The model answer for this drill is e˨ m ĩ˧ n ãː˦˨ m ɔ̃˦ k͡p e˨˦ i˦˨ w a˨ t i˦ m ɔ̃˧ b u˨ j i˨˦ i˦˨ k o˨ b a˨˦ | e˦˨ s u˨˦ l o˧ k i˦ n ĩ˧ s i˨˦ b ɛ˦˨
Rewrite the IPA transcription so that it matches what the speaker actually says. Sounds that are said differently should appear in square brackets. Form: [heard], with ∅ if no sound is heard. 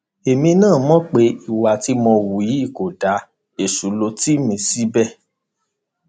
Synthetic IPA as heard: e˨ m ĩ˧ n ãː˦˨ m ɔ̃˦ k͡p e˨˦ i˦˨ w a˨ t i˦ m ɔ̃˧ [w] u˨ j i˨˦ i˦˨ k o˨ [d] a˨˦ | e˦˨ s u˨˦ l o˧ [t] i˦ [m] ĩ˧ s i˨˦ b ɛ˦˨

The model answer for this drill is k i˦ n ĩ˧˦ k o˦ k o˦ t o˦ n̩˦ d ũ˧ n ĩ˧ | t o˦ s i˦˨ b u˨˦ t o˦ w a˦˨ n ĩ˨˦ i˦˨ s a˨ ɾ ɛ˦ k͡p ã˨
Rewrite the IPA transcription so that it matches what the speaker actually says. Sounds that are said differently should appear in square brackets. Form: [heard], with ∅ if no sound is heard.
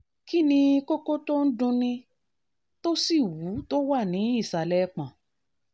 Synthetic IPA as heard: k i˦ n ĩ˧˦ k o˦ k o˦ t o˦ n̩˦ d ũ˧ n ĩ˧ | t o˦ s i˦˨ [w] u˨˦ t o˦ w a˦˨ n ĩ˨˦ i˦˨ s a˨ [l] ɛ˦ k͡p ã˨

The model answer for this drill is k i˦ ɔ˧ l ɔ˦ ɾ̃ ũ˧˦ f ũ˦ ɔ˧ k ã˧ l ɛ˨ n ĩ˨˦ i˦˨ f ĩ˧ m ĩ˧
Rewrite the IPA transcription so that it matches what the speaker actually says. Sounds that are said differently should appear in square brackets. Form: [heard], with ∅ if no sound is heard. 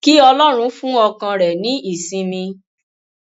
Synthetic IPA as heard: k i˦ ɔ˧ l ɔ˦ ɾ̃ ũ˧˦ f ũ˦ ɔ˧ k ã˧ [ɾ] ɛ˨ n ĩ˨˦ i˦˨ [s] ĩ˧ m ĩ˧

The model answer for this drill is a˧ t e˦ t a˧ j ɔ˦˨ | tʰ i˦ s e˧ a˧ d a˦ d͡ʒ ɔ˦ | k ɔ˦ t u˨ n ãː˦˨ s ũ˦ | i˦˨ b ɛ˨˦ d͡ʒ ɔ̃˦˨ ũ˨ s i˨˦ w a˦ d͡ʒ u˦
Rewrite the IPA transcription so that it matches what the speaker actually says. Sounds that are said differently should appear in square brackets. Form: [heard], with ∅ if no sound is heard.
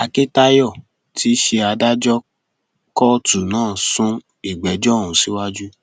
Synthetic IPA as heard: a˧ [k] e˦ t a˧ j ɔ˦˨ | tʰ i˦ [ʃ] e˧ a˧ d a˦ d͡ʒ ɔ˦ | k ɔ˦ t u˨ n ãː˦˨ s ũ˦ | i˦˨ [ɡ͡b] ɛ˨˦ d͡ʒ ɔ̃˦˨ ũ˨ s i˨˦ w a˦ d͡ʒ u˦

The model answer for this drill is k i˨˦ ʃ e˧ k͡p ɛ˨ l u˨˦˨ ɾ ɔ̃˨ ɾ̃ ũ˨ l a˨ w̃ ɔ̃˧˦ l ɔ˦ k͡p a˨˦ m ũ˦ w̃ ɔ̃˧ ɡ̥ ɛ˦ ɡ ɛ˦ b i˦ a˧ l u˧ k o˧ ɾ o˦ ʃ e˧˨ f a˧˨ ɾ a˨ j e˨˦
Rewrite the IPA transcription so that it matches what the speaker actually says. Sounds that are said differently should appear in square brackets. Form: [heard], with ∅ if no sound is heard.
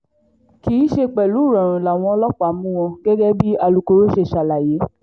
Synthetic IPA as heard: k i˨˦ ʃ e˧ k͡p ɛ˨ l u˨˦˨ ɾ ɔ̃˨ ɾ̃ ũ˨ l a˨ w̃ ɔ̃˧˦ l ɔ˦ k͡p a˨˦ m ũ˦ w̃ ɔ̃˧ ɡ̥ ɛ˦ ɡ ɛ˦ b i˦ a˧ l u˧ k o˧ ɾ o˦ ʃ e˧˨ [ʃ] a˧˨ [l] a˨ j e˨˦

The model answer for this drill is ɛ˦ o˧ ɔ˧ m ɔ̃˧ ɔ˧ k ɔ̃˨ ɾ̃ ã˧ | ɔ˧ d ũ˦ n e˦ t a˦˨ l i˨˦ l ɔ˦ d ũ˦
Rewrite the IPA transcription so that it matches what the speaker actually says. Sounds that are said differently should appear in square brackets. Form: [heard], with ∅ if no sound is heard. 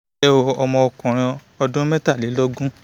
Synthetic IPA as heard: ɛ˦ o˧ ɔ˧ m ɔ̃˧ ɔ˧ k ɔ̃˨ ɾ̃ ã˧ | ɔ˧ d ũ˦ [m] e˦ t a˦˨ l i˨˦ l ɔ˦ [ɡ] ũ˦

